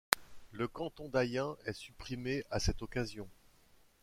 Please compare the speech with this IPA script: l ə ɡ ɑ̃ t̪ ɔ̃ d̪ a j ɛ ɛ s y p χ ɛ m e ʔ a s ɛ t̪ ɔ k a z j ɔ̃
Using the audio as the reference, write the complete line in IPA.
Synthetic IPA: l ə k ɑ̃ t̪ ɔ̃ d̪ a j ɛ̃ ɛ s y p χ i m e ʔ a s ɛ t̪ ɔ k a z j ɔ̃